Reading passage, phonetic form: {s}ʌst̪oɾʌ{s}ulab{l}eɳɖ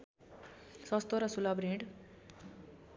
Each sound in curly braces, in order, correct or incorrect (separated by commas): correct, correct, incorrect